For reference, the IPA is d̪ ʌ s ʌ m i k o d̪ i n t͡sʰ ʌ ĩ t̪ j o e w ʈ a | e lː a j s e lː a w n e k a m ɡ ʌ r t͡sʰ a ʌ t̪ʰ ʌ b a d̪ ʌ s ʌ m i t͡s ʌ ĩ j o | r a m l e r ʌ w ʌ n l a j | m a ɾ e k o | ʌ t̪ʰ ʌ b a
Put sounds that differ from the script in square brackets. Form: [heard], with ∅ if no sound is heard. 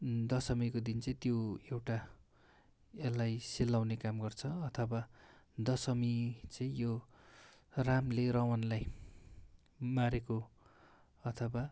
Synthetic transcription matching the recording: d̪ ʌ s ʌ m i k o d̪ i n [t͡s] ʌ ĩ t̪ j o e w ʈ a | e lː a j s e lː a w n e k a m ɡ ʌ r t͡sʰ [ʌ] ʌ t̪ʰ ʌ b a d̪ ʌ s ʌ m i t͡s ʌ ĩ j o | r a m l e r ʌ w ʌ n l a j | m a ɾ e k o | ʌ t̪ʰ ʌ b a